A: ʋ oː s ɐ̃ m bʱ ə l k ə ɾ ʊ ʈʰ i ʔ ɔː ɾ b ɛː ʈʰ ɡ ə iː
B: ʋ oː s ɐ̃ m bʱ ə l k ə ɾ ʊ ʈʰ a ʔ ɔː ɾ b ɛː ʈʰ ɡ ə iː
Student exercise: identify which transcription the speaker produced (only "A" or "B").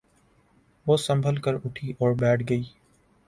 A